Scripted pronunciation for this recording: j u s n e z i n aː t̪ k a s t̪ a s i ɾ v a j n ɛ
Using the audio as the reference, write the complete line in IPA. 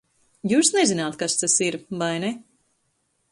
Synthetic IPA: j uː s n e z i n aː t̪ k a s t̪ a s i ɾ v a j n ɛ